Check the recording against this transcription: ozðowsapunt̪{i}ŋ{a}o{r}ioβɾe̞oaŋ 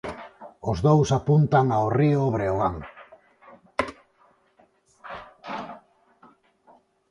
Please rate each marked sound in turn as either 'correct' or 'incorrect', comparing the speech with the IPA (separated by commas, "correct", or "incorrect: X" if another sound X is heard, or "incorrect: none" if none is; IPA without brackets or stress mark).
incorrect: a, correct, correct